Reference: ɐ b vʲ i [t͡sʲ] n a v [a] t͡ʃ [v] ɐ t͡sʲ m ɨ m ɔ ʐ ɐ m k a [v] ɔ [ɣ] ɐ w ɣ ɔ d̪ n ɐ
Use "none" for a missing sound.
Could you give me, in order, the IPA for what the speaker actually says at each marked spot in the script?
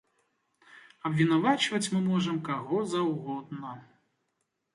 none, a, v, ɣ, z

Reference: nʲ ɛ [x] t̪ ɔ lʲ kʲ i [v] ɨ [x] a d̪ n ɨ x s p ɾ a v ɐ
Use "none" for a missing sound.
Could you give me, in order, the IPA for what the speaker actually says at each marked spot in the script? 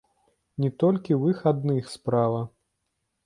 none, w, x

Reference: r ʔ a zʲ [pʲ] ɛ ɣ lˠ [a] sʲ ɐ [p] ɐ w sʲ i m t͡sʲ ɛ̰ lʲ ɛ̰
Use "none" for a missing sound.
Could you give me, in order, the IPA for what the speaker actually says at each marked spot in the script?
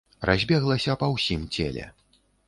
bʲ, ɐ, p

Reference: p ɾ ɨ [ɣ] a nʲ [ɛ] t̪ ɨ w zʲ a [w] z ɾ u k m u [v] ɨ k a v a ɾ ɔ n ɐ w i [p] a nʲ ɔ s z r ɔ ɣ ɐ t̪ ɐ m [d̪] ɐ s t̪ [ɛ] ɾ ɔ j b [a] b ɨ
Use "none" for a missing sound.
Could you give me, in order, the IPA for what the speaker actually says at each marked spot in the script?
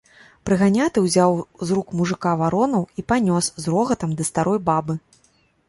ɣ, a, w, ʐ, p, d̪, a, a

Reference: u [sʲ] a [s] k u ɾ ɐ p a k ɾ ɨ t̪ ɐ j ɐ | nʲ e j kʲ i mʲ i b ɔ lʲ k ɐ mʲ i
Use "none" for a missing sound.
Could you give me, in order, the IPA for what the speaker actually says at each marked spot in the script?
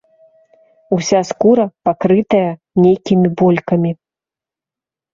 sʲ, s

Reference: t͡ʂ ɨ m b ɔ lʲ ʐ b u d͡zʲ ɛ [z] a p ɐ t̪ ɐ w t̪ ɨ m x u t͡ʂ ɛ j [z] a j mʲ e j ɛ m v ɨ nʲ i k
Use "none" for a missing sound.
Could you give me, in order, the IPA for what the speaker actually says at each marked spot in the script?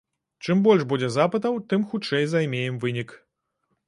z, z

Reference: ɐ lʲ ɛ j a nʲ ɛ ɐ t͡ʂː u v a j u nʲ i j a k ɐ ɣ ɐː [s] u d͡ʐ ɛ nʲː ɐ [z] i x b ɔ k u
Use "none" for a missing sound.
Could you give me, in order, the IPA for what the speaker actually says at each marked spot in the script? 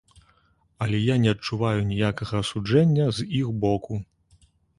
s, z

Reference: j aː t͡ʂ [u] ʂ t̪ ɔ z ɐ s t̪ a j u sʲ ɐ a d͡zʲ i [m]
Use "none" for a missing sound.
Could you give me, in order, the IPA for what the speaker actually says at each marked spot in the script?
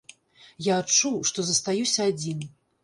u, n

